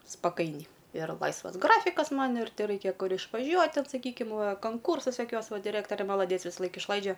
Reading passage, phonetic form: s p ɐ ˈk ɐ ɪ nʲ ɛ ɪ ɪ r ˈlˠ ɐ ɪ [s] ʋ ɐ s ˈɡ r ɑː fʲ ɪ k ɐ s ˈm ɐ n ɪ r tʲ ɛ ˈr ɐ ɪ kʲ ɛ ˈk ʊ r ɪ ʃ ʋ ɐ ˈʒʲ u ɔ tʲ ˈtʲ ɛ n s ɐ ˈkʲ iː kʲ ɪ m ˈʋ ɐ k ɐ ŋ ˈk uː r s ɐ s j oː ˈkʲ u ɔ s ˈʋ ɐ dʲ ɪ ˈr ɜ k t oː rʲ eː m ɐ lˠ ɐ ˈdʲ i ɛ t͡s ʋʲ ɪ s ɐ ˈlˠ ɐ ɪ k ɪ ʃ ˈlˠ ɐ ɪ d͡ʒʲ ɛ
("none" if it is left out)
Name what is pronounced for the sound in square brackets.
s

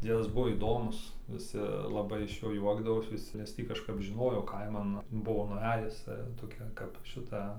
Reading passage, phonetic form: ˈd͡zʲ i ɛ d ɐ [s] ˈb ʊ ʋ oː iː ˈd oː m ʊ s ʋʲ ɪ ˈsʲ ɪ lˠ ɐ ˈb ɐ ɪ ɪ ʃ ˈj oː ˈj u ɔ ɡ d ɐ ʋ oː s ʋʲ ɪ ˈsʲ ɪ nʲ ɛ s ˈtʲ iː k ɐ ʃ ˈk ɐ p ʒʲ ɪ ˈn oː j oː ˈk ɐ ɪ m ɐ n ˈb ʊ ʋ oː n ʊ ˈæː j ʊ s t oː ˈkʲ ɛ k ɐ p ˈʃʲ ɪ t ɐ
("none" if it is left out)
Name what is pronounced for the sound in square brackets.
s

